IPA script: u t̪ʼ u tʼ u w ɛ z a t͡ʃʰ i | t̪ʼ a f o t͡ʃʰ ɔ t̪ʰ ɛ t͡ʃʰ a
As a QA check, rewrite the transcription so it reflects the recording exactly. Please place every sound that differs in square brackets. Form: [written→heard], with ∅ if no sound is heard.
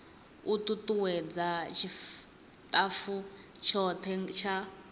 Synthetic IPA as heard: u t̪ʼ u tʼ u w ɛ [z→d͡z] a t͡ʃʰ i | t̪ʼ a f [o→u] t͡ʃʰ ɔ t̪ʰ ɛ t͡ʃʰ a

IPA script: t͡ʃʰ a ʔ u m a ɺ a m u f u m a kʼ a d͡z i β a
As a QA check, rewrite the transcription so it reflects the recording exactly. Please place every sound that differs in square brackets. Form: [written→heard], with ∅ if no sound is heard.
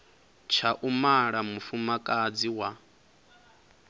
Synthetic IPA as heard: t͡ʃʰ a ʔ u m a ɺ a m u f u m a kʼ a d͡z i [β→w] a

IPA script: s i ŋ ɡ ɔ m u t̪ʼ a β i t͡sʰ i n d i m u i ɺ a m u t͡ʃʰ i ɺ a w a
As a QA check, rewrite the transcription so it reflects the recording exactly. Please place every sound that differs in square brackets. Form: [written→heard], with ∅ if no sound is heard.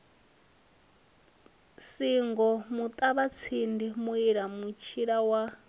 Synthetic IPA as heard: s i ŋ ɡ ɔ m u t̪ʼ a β [i→a] t͡sʰ i n d i m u i ɺ a m u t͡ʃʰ i ɺ a w a

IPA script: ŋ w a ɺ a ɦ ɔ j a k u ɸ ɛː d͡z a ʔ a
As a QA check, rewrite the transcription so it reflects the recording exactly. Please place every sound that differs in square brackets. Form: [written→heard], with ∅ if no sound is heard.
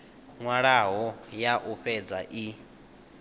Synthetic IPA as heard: ŋ w a ɺ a ɦ ɔ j a [k→ʔ] u ɸ [ɛː→ɛ] d͡z a ʔ [a→i]

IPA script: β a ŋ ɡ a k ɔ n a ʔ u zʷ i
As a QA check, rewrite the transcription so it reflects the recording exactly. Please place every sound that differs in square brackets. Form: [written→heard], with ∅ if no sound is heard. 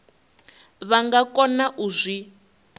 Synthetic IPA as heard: β a ŋ ɡ a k ɔ n a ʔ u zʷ i

